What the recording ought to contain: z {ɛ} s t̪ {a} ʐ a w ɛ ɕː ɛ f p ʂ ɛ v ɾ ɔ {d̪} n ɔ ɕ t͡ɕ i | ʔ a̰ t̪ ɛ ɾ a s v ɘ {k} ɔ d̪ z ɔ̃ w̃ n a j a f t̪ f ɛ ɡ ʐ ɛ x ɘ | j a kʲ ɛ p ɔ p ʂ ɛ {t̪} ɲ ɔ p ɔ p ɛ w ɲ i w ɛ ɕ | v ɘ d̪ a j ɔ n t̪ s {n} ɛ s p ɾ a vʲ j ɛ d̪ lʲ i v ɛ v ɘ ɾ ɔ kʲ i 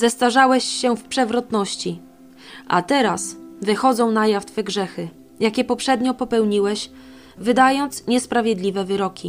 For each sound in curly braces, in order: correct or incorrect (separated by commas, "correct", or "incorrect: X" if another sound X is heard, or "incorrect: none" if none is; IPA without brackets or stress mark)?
correct, correct, incorrect: t̪, incorrect: x, incorrect: d̪, incorrect: ɲ